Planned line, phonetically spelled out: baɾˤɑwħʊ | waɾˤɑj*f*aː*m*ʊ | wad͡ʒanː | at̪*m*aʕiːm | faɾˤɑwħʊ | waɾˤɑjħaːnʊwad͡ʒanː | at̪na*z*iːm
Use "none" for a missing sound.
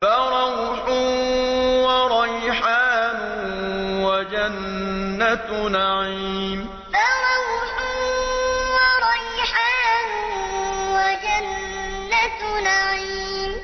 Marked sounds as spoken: ħ, n, n, ʕ

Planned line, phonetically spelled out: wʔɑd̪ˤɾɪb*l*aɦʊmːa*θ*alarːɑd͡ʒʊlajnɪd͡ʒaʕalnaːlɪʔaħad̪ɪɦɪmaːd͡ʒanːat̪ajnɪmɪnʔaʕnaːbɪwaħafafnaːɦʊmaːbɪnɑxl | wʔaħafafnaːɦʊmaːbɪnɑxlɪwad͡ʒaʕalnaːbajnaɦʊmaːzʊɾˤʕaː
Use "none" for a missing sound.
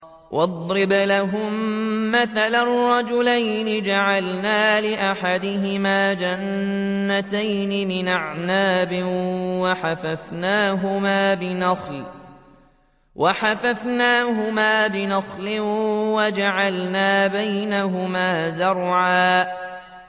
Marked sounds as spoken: l, θ

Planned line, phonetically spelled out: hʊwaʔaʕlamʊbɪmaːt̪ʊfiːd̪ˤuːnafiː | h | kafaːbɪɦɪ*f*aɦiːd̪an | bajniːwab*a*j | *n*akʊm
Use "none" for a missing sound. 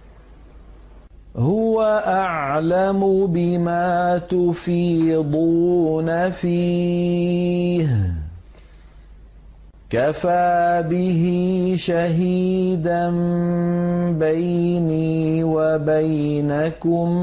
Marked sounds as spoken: ʃ, a, n

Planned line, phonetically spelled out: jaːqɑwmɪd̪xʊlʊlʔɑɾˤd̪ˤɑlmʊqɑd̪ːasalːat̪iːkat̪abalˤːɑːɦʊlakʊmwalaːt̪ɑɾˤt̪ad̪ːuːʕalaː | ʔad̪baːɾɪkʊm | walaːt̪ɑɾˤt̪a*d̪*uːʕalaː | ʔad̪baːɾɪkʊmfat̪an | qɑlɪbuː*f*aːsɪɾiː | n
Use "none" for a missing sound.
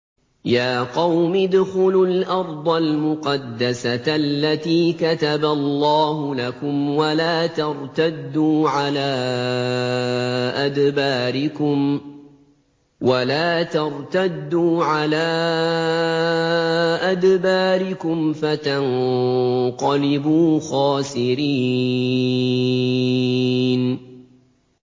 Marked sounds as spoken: d̪ː, x

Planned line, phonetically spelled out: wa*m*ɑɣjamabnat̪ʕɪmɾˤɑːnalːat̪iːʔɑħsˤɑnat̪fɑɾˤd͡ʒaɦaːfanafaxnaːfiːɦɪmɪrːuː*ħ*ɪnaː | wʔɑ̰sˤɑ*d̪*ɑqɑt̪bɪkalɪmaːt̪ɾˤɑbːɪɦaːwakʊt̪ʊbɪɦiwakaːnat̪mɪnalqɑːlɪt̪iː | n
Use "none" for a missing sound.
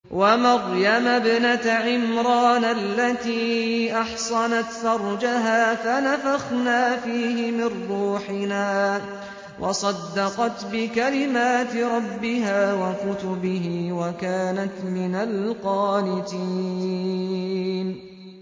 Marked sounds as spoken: m, ħ, d̪ː

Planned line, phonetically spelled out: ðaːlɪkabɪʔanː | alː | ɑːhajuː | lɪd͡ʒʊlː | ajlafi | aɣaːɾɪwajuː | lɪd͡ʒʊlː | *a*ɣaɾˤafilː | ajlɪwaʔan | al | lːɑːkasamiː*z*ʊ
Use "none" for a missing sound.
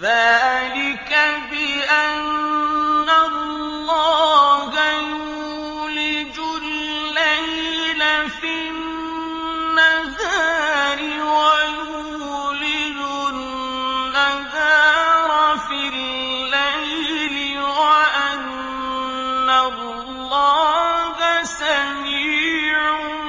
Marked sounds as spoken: a, ʕ

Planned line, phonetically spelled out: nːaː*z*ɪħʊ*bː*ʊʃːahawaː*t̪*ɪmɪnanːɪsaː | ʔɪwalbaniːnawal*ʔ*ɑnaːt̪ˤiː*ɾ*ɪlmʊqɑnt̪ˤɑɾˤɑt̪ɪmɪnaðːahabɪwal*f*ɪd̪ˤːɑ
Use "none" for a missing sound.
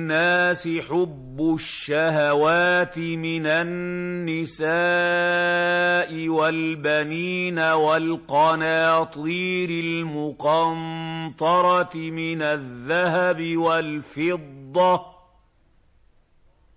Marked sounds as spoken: s, bː, t̪, q, ɾ, f

